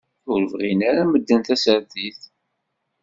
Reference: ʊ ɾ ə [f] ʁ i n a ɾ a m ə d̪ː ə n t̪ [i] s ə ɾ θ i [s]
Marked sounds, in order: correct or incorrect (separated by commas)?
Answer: incorrect, incorrect, incorrect